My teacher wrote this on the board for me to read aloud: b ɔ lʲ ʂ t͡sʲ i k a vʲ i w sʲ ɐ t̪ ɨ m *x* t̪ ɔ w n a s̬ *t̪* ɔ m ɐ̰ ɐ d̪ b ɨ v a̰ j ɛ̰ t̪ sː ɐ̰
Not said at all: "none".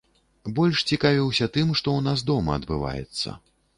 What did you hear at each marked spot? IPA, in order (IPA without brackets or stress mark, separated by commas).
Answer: ʂ, d̪